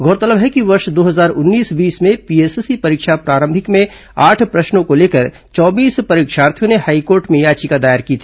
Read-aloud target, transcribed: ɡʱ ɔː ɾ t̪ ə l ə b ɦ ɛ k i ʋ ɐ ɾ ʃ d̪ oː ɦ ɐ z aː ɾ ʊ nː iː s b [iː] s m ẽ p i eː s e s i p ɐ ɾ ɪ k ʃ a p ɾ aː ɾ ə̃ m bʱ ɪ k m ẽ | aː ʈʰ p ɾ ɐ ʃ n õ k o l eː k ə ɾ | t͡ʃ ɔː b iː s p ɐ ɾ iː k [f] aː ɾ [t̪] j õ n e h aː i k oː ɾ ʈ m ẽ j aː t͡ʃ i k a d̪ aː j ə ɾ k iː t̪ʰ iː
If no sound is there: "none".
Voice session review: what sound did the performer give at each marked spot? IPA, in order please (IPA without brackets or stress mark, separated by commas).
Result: iː, ʃ, t̪ʰ